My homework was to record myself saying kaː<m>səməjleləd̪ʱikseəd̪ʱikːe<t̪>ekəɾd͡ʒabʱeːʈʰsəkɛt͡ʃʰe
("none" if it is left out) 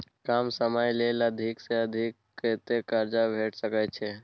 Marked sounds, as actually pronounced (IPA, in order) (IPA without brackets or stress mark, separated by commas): m, t̪